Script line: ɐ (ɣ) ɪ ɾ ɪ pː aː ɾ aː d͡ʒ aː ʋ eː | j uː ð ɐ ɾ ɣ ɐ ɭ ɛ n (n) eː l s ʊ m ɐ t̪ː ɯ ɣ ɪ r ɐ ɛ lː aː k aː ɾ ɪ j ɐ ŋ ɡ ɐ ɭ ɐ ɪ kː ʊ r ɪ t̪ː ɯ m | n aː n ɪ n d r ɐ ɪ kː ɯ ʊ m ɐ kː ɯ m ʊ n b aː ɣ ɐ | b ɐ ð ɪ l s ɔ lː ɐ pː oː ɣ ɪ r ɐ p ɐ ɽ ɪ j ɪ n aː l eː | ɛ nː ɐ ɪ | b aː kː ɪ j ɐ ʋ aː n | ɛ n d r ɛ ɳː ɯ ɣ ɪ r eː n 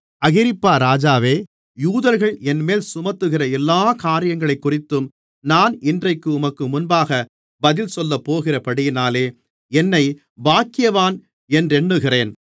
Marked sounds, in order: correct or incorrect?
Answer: correct, incorrect

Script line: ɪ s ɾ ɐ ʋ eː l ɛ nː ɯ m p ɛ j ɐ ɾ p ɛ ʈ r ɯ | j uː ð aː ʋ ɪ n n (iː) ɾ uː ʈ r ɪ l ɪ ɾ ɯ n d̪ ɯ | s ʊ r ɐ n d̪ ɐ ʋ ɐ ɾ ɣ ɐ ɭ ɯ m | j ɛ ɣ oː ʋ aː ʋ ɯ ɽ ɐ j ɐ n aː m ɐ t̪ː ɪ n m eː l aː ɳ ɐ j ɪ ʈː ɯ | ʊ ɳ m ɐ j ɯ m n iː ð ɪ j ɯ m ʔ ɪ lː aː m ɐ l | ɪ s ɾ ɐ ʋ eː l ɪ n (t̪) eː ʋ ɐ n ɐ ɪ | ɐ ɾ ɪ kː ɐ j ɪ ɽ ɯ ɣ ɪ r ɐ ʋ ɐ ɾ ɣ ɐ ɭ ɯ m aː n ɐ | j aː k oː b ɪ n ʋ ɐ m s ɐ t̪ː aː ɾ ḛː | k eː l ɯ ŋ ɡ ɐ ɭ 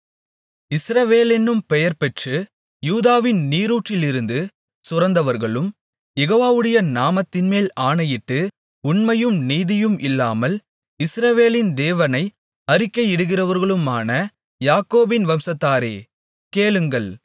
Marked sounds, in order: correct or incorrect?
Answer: correct, incorrect

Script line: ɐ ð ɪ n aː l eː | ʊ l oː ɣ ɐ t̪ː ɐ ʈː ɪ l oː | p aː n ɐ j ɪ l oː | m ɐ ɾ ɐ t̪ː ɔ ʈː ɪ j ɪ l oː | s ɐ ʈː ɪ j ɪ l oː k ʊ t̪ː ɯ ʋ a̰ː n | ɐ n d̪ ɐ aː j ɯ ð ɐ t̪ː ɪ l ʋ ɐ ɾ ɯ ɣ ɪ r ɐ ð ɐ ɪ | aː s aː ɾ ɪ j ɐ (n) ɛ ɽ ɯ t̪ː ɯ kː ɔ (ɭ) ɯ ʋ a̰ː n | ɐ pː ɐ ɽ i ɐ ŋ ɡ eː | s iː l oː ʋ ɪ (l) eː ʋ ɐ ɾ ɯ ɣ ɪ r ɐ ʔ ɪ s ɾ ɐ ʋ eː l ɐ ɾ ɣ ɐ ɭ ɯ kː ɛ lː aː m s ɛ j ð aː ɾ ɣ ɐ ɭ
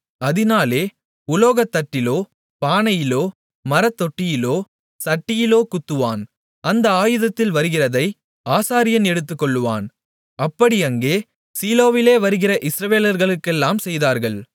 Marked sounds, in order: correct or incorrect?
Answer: correct, incorrect, correct

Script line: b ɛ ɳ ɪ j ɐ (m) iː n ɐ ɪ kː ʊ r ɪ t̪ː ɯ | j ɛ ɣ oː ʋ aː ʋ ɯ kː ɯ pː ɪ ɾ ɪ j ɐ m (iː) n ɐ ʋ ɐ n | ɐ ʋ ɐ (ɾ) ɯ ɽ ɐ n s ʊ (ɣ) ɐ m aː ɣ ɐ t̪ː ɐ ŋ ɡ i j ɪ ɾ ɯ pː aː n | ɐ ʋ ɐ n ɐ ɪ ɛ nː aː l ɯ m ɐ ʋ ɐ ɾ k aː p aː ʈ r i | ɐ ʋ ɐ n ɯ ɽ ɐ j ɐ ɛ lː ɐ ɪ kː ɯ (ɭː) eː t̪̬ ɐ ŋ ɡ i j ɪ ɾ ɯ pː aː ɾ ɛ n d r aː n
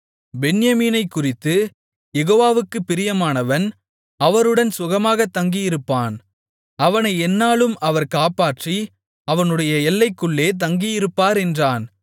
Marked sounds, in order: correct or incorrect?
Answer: correct, incorrect, correct, correct, correct

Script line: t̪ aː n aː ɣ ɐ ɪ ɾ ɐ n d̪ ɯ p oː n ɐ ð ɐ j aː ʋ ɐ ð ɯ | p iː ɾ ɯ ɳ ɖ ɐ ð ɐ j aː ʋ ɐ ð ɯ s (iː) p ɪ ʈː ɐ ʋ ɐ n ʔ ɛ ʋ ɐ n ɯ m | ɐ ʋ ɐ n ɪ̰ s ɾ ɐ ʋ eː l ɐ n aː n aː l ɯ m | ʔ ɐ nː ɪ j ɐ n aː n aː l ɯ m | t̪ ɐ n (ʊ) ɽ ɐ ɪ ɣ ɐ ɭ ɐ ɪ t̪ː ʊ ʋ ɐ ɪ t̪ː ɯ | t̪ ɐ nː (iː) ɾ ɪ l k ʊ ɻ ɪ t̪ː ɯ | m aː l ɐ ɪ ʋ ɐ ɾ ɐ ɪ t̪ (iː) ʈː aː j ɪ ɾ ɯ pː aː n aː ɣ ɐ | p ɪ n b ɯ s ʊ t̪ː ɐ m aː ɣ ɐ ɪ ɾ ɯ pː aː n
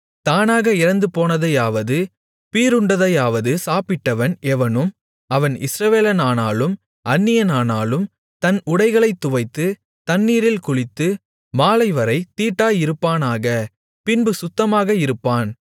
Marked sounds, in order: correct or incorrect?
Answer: incorrect, correct, correct, correct

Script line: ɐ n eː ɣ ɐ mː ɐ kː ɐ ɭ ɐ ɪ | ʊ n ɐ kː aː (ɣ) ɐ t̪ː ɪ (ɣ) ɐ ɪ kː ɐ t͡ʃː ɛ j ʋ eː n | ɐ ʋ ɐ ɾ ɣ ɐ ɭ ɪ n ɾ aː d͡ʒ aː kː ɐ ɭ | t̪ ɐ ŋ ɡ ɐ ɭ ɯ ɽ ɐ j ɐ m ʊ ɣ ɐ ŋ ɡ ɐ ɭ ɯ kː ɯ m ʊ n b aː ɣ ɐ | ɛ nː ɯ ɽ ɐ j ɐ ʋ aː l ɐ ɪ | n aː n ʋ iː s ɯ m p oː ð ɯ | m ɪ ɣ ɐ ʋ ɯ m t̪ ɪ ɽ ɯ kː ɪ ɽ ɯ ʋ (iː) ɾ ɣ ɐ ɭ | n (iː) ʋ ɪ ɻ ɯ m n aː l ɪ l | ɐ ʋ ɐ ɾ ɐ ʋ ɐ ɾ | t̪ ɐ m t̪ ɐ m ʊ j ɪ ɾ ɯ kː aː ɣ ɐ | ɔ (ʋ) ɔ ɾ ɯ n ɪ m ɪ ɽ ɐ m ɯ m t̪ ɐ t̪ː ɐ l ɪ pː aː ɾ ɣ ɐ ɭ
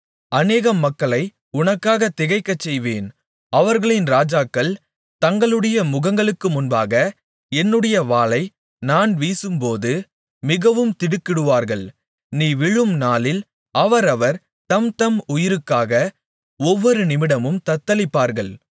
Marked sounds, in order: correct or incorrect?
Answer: correct, correct, incorrect, correct, incorrect

